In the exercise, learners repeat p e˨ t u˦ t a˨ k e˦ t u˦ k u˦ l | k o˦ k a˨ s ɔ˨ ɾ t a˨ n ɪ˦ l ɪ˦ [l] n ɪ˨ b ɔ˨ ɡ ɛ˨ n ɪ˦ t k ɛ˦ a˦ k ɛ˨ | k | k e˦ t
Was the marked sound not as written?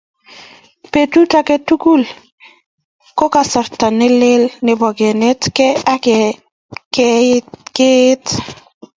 no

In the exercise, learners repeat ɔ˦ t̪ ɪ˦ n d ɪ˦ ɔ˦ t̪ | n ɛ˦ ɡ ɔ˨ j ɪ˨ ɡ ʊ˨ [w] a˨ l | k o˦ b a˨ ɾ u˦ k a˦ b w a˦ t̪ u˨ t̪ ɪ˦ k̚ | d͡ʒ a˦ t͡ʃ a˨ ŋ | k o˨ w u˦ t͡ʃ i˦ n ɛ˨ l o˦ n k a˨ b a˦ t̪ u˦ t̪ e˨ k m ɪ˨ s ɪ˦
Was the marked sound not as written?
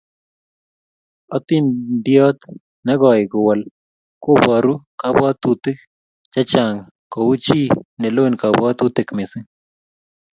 no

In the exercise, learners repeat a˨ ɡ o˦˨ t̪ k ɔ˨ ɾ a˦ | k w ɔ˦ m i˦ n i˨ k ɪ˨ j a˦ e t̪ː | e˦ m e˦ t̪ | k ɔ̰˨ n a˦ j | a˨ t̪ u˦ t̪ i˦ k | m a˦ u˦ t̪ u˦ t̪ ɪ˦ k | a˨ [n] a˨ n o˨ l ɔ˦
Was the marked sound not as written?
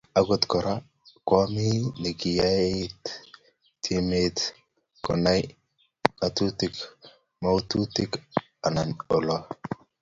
no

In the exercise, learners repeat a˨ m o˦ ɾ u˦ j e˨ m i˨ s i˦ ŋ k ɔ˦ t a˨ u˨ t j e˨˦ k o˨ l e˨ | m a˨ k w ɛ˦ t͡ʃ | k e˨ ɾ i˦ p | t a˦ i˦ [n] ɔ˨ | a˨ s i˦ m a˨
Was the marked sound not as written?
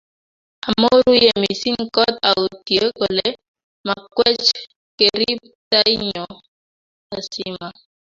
yes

